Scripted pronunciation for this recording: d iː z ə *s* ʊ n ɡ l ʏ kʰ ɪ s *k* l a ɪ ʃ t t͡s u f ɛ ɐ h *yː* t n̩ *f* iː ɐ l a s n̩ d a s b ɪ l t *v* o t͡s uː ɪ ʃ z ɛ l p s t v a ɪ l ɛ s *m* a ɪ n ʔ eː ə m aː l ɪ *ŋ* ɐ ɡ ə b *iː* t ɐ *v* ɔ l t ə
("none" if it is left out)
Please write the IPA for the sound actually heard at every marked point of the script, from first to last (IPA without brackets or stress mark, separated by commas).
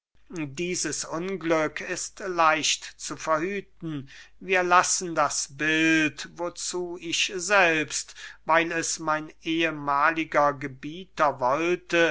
s, t, yː, v, v, m, ɡ, iː, v